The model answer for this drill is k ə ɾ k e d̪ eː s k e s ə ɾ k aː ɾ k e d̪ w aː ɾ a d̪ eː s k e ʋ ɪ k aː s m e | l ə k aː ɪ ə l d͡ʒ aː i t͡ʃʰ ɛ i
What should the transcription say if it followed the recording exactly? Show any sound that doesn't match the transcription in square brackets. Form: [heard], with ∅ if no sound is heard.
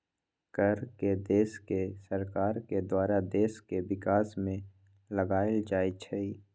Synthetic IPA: k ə ɾ k e d̪ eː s k e s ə ɾ k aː ɾ k e d̪ w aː ɾ a d̪ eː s k e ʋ ɪ k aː s m [ẽ] | l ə [ɡ] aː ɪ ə l d͡ʒ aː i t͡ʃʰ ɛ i